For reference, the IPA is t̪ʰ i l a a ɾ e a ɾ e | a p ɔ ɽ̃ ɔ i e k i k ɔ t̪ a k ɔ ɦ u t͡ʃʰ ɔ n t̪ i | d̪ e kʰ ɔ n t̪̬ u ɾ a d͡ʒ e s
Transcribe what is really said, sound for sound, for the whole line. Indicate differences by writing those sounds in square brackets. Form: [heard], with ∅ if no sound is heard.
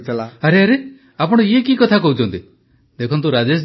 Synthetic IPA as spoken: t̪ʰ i l a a ɾ e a ɾ e | a p ɔ ɽ̃ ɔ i e k i k ɔ [t̪ʰ] a k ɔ ɦ u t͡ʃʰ ɔ n t̪ i | d̪ e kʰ ɔ n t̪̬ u ɾ a d͡ʒ e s

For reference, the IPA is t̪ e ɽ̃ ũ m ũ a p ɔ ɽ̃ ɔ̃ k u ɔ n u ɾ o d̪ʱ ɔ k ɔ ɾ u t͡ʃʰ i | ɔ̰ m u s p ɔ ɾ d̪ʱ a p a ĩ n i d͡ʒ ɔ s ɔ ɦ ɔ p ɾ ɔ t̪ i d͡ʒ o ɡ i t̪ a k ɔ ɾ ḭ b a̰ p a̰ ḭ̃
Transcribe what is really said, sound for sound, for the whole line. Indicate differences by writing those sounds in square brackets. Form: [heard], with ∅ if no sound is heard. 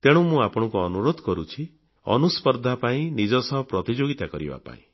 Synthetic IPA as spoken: t̪ e ɽ̃ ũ m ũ a p ɔ ɽ̃ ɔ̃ k u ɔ n u ɾ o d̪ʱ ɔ k ɔ ɾ u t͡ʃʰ i | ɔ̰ [n] u s p ɔ ɾ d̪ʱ a p a ĩ n i d͡ʒ ɔ s ɔ ɦ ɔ p ɾ ɔ t̪ i d͡ʒ o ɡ i t̪ a k ɔ ɾ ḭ b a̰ p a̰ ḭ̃

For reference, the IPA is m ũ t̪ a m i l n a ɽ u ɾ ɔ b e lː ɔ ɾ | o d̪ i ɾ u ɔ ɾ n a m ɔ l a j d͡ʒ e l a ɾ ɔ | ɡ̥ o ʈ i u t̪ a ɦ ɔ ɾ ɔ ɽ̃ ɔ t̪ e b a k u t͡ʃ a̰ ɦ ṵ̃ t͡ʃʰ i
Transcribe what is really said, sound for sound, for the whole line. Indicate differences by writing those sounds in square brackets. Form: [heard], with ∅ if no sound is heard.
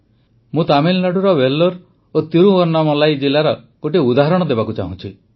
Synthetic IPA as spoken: m ũ t̪ a m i l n a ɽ u ɾ ɔ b e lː ɔ ɾ | o [t̪] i ɾ u ɔ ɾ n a m ɔ l a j d͡ʒ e l a ɾ ɔ | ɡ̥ o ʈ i u [d̪] a ɦ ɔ ɾ ɔ ɽ̃ ɔ [d̪] e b a k u t͡ʃ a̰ ɦ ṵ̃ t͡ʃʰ i

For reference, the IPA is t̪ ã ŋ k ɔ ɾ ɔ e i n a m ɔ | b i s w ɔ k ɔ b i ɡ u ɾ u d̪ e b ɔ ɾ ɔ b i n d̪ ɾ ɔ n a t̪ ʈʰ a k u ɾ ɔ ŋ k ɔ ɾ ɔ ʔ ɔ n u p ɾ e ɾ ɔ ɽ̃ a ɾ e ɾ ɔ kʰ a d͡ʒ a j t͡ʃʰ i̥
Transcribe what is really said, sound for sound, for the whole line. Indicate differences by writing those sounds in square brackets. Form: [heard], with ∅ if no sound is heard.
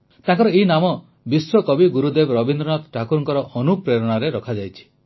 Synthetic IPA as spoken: t̪ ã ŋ k ɔ ɾ ɔ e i n a m ɔ | b i s w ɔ k ɔ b i ɡ u ɾ u d̪ e b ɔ ɾ ɔ b i n d̪ ɾ ɔ n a t̪ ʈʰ a k u ɾ ɔ ŋ k ɔ ɾ ɔ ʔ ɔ n u p ɾ e ɾ ɔ ɽ̃ a ɾ e ɾ ɔ kʰ a d͡ʒ a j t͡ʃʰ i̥

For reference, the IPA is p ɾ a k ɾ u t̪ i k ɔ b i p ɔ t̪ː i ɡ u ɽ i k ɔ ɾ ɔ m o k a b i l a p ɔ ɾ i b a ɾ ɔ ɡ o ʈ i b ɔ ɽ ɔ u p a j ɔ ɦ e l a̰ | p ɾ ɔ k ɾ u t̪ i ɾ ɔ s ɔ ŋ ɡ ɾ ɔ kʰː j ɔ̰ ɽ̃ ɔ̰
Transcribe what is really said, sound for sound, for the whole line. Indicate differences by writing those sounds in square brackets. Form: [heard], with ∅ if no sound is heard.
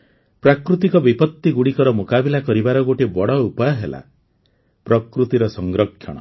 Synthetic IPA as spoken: p ɾ a k ɾ u t̪ i k ɔ b i p ɔ t̪ː i ɡ u ɽ i k ɔ ɾ ɔ m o k a b i l a [k] ɔ ɾ i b a ɾ ɔ ɡ o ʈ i b ɔ ɽ ɔ u p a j ɔ ɦ e l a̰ | p ɾ ɔ k ɾ u t̪ i ɾ ɔ s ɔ ŋ ɡ ɾ ɔ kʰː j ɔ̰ ɽ̃ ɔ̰

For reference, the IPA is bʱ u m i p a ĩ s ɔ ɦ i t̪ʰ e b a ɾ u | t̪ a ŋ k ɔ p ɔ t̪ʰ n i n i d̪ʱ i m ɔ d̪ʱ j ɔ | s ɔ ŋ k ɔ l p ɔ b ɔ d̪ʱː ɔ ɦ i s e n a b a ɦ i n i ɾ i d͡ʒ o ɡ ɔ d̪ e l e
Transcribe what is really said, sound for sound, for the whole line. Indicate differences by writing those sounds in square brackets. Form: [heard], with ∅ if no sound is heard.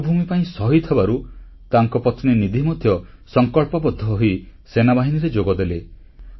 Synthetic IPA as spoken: bʱ u m i p a ĩ s ɔ ɦ i t̪ʰ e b a ɾ u | t̪ a ŋ k ɔ p ɔ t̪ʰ n i n i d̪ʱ i m ɔ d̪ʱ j ɔ | s ɔ ŋ k ɔ [ɭ] p ɔ b ɔ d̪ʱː ɔ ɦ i s e n a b a ɦ i n i ɾ [e] d͡ʒ o ɡ ɔ d̪ e l e

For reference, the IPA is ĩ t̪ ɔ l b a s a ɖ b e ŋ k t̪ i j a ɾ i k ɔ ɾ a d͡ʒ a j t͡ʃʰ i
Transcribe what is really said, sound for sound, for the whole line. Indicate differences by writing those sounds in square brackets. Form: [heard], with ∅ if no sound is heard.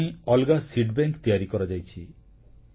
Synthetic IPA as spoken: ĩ [∅] ɔ l [ɡ] a s [i] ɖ b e ŋ k t̪ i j a ɾ i k ɔ ɾ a d͡ʒ a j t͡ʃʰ i

